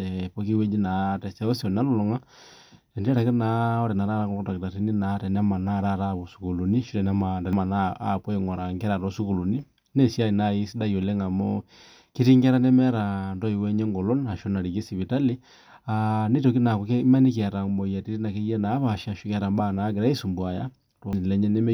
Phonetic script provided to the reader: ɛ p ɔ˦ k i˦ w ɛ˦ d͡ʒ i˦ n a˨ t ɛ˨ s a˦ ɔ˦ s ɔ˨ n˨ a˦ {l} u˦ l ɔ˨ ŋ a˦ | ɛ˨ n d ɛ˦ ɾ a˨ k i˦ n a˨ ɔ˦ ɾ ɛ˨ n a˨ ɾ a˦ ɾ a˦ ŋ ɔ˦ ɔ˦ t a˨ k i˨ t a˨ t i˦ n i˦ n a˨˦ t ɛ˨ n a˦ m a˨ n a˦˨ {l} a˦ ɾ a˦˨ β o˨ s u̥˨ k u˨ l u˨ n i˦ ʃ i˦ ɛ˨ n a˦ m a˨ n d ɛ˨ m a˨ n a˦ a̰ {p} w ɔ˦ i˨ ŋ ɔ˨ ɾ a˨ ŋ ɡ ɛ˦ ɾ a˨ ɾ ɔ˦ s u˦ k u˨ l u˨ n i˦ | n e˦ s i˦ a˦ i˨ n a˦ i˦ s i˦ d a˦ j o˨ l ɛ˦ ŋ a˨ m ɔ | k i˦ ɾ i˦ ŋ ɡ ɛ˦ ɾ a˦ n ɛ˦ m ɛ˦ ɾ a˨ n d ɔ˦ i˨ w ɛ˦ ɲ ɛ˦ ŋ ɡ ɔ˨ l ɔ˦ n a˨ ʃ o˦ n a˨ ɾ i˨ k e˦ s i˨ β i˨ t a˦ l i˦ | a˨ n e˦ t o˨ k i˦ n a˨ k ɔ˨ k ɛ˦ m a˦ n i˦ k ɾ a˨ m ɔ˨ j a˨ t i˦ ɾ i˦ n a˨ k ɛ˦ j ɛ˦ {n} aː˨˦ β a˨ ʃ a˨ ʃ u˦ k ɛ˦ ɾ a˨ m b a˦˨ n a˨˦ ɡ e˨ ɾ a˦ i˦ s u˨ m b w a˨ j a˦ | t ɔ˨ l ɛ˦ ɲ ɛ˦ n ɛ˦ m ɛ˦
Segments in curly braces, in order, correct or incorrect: correct, incorrect: ɾ, correct, correct

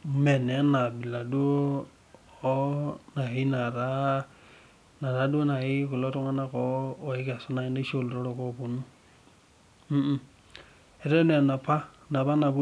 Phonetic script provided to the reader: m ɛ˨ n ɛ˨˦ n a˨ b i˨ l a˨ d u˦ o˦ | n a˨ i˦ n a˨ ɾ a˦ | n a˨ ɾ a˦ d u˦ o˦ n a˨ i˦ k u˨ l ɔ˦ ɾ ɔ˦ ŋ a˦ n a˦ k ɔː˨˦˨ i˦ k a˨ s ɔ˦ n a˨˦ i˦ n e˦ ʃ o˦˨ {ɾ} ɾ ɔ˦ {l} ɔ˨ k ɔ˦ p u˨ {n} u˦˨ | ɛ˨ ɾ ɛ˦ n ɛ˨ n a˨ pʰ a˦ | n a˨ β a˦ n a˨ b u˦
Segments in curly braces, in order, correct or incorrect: incorrect: l, incorrect: ɾ, correct

